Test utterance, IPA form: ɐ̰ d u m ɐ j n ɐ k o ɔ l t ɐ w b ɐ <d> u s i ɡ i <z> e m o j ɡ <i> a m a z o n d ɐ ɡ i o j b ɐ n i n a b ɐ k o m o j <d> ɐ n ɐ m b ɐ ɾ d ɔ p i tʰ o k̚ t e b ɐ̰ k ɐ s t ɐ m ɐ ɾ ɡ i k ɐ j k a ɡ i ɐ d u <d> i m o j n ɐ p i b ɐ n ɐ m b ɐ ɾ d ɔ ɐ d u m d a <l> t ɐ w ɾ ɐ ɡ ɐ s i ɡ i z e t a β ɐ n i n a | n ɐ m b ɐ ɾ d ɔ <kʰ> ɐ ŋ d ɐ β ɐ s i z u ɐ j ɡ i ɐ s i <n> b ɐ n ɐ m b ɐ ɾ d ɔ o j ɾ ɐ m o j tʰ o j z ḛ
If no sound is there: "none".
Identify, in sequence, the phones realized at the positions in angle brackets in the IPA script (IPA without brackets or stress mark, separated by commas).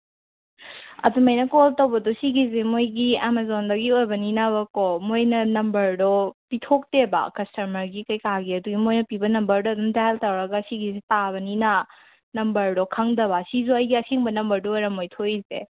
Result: d, z, i, n, ɡ, l, kʰ, ŋ